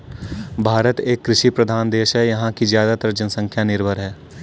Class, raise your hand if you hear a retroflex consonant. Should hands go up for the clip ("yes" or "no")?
no